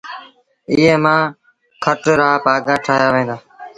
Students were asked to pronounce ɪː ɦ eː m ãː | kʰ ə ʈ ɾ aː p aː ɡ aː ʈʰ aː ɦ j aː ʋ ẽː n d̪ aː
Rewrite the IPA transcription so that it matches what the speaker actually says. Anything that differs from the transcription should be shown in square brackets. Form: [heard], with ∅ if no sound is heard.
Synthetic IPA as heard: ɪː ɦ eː m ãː | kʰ ə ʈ ɾ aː p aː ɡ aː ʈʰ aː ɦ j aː ʋ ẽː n d̪ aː